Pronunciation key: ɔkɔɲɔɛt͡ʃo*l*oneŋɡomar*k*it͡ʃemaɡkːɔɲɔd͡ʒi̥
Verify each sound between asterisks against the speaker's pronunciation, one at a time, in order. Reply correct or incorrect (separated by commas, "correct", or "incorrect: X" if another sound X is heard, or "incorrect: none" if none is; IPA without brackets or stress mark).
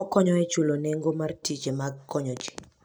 correct, incorrect: t